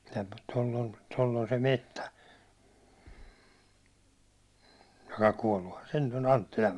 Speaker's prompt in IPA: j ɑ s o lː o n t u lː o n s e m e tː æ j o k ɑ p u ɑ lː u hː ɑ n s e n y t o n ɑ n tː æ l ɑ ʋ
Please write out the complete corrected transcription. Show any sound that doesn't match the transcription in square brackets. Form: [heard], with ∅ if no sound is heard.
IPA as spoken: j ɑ [t] o lː o n t [o] lː o n s e m e tː æ j o k ɑ [k] u [ɒ] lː u [h] ɑ n s e n y t o n ɑ n tː [i] l ɑ ʋ